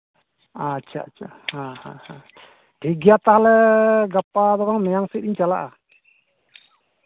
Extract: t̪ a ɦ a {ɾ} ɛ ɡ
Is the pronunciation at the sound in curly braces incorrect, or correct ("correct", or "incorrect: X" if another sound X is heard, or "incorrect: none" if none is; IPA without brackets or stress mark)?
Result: incorrect: l